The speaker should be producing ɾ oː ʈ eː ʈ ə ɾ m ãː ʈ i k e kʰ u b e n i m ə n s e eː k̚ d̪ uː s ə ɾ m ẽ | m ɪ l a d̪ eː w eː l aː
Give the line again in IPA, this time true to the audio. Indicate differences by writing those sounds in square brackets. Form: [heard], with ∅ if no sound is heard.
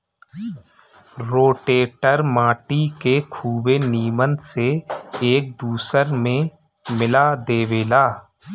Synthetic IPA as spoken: ɾ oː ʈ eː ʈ ə ɾ m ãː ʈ i k e kʰ [uː] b e n [iː] m ə n s e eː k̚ d̪ uː s ə ɾ m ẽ | m ɪ l a d̪ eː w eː l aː